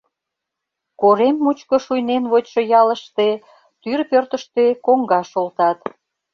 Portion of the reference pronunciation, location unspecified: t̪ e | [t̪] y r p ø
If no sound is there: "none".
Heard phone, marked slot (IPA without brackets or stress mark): t̪